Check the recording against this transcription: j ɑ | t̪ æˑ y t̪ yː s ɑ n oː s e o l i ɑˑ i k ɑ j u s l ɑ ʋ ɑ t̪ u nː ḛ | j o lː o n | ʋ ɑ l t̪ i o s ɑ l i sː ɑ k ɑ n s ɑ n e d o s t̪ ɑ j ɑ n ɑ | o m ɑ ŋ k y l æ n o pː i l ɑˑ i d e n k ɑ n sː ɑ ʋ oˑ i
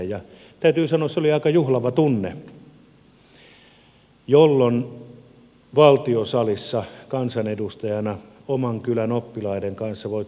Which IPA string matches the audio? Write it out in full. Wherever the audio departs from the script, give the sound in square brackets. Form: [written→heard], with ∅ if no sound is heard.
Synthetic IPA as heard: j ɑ | t̪ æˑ y t̪ yː s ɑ n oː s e o l i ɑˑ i k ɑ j u [s→h] l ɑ ʋ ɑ t̪ u nː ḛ | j o lː o n | ʋ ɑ l t̪ i o s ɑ l i sː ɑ k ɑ n s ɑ n e d [o→u] s t̪ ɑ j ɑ n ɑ | o m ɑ ŋ k y l æ n o pː i l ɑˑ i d e [n→ŋ] k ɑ n sː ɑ ʋ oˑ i

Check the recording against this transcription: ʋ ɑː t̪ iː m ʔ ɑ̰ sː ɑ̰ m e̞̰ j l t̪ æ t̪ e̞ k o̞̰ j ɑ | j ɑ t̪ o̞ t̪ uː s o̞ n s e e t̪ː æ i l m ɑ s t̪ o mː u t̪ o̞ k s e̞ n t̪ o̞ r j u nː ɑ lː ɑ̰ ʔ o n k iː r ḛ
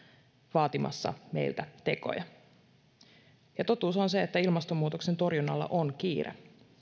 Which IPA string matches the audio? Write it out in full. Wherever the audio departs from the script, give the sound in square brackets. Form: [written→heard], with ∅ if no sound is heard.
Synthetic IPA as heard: ʋ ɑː t̪ [iː→i] m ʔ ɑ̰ sː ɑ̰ m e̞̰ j l t̪ æ t̪ e̞ k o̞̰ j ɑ | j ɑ t̪ o̞ t̪ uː s o̞ n s e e t̪ː æ i l m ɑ s t̪ o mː [u→uː] t̪ o̞ k s e̞ n t̪ o̞ r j u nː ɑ lː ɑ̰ ʔ o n k iː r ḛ

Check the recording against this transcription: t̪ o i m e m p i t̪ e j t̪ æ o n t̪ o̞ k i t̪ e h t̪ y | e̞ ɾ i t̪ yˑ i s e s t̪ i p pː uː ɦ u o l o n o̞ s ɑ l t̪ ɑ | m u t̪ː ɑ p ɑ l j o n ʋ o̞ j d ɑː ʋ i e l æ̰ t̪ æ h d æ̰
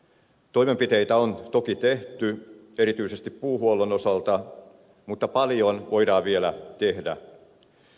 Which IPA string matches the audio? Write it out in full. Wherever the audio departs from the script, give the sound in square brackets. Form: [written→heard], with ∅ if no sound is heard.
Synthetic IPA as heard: t̪ o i m e m p i t̪ e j t̪ æ o n t̪ o̞ k i t̪ e h t̪ y | e̞ ɾ i t̪ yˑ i s e s t̪ i p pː uː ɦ u o l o n o̞ s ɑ l t̪ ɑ | m u t̪ː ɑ p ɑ l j o n ʋ o̞ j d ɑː ʋ i e l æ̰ t̪ [æ→e] h d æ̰

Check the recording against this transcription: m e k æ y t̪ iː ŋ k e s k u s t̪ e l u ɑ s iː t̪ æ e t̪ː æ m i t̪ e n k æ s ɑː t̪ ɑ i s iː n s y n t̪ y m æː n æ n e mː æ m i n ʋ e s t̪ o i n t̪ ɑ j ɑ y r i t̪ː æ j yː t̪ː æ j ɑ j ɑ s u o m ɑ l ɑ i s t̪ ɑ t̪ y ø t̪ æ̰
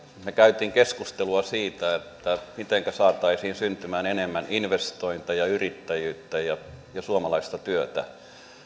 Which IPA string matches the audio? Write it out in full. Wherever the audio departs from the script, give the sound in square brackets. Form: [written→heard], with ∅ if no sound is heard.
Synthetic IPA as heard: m e k æ y t̪ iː ŋ k e s k u s t̪ e l u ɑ s iː t̪ æ e t̪ː æ m i t̪ e [n→ŋ] k æ s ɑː t̪ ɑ i s iː n s y n t̪ y m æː n [æ→e] n e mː æ [m→n] i n ʋ e s t̪ o i n t̪ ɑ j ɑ y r i t̪ː æ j yː t̪ː æ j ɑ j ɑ s u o m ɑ l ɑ i s t̪ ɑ t̪ y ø t̪ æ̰

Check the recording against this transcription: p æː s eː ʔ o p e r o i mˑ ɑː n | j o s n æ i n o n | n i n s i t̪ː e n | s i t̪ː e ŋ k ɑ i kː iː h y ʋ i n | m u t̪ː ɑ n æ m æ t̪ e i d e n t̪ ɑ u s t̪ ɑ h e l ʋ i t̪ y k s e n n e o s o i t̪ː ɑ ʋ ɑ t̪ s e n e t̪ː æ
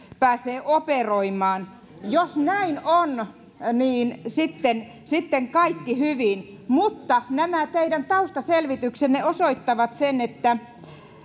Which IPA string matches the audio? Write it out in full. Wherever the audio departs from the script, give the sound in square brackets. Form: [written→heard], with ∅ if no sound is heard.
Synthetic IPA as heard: p æː s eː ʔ o p e r o i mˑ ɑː n | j o s n æ i n o n | n [i→iː] n s i t̪ː e n | s i t̪ː e ŋ k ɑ i kː [iː→i] h y ʋ i n | m u t̪ː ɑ n æ m æ t̪ e i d [e→æ] n t̪ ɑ u s t̪ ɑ [h→s] e l ʋ i t̪ y k s e n n e o s o i t̪ː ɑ ʋ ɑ t̪ s e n e t̪ː æ

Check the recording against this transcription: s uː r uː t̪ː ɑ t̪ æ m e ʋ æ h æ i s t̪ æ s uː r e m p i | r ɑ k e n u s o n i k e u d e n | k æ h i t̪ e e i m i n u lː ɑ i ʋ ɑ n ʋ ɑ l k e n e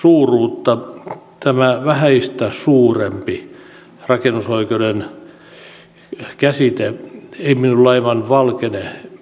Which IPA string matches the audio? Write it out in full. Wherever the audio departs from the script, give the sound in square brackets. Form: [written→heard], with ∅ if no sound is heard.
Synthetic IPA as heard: s uː r uː t̪ː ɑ t̪ æ m [e→æ] ʋ æ h æ i s t̪ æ s uː r e m p i | r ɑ k e n u s o [n→∅] i k e u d e n | k æ [h→s] i t̪ e e i m i n u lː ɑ i ʋ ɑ n ʋ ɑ l k e n e

